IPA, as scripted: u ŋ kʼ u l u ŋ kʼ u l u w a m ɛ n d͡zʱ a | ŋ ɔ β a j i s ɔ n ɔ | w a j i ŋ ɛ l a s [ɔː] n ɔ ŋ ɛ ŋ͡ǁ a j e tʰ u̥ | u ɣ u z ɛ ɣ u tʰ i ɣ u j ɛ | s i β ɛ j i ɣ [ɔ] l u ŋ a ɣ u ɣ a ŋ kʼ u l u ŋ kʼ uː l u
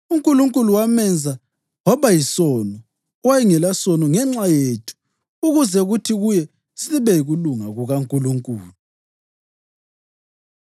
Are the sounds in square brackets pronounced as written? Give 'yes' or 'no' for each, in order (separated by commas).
no, no